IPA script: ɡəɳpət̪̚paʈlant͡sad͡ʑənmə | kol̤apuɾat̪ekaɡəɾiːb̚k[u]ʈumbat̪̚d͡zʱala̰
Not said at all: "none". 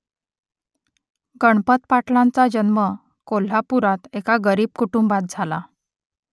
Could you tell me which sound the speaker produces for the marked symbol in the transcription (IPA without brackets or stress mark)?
u